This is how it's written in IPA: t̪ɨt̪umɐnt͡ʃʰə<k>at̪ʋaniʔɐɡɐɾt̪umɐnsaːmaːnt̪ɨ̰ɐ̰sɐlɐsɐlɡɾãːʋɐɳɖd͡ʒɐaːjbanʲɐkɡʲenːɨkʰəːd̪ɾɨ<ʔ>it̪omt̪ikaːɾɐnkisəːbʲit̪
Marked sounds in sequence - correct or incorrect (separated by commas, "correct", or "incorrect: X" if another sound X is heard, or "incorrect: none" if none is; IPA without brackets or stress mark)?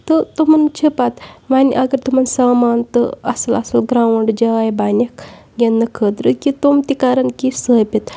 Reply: incorrect: p, incorrect: k